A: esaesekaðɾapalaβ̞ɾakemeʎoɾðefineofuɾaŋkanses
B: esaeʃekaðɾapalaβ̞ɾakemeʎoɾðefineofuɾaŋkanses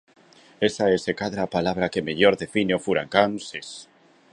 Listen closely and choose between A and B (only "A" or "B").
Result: A